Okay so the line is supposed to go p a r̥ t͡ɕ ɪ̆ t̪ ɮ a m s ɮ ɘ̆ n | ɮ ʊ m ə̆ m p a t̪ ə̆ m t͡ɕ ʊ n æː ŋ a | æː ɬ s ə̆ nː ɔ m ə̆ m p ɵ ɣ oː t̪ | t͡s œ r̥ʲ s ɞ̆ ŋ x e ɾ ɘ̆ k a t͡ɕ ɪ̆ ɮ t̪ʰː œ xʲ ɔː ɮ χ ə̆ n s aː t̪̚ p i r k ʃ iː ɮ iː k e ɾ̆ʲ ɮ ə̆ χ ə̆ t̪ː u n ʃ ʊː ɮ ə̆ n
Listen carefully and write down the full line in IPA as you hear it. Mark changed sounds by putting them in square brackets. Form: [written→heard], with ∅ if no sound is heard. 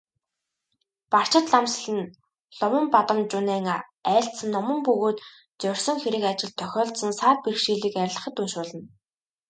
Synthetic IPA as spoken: p a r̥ t͡ɕ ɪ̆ t̪ ɮ a m s ɮ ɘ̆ n | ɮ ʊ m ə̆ m p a t̪ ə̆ m t͡ɕ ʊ n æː ŋ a | æː ɬ s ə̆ nː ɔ m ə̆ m p ɵ ɣ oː t̪ | t͡s œ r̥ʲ s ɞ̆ ŋ x e ɾ ɘ̆ k a t͡ɕ ɪ̆ ɮ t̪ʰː œ xʲ ɔː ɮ [χ→s] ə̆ n s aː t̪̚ p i r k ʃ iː ɮ iː k [e→æ] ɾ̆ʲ ɮ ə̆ χ ə̆ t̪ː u n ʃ ʊː ɮ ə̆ n